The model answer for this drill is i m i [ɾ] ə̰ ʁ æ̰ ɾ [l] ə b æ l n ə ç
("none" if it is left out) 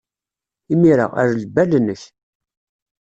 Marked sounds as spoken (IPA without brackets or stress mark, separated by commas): ɾ, l